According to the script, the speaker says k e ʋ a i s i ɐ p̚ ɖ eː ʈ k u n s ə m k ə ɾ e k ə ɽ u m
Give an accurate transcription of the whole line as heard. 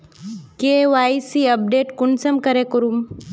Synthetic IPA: k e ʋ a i s i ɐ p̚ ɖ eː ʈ k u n s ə m k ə ɾ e k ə ɾ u m